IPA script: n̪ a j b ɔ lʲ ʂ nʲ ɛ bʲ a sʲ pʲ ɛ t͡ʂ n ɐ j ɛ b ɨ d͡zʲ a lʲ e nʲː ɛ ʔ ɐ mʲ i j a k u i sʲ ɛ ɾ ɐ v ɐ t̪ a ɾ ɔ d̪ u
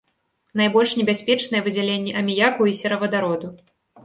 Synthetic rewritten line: n̪ a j b ɔ lʲ ʂ nʲ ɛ bʲ a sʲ pʲ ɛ t͡ʂ n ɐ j ɛ v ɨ d͡zʲ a lʲ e nʲː ɛ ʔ ɐ mʲ i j a k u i sʲ ɛ ɾ ɐ v ɐ d̪ a ɾ ɔ d̪ u